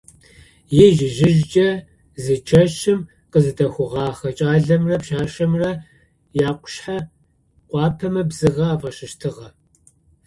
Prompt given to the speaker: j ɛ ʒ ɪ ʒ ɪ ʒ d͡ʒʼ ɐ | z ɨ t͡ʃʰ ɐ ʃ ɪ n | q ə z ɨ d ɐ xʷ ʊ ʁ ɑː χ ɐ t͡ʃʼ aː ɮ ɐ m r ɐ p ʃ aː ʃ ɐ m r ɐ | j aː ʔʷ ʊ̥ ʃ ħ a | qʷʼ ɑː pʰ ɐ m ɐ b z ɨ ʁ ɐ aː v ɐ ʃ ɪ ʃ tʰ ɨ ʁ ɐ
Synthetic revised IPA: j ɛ ʒ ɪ ʒ ɪ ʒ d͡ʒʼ ɐ | z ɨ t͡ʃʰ ɐ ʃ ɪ m | q ə z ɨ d ɐ xʷ ʊ ʁ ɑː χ ɐ t͡ʃʼ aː ɮ ɐ m r ɐ p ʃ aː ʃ ɐ m r ɐ | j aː qʷ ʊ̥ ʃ ħ a | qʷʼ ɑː pʰ ɐ m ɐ b z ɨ ʁ ɐ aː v ɐ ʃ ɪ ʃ tʰ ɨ ʁ ɐ